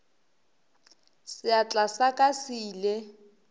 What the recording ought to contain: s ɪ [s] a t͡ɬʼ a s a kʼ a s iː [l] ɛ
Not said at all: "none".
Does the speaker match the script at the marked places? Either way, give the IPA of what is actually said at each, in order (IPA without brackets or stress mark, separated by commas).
none, l